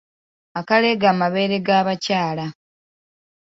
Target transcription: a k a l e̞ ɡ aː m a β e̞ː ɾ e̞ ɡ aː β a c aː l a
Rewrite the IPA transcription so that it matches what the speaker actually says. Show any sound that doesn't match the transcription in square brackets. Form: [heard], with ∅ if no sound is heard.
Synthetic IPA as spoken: a k a l e̞ ɡ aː m a β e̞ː ɾ e̞ ɡ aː β a c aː l a